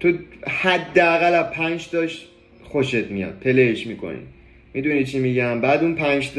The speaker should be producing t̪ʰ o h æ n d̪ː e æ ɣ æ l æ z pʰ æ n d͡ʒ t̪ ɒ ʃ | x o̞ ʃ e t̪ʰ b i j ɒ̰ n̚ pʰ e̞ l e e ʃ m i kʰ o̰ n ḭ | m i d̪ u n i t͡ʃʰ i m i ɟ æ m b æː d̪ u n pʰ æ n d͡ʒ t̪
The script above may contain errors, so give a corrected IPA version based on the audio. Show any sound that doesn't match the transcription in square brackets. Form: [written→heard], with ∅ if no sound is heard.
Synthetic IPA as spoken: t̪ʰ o h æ [n→∅] d̪ː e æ ɣ æ l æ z pʰ æ n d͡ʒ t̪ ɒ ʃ | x o̞ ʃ e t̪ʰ [b→m] i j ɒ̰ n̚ pʰ e̞ l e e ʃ m i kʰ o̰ n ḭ | m i d̪ u n i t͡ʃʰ i m i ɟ æ m b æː d̪ u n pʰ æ n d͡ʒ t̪